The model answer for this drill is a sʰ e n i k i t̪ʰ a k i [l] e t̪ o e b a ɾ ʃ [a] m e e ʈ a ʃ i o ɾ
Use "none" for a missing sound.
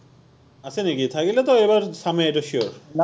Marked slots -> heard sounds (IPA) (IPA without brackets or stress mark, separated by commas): l, a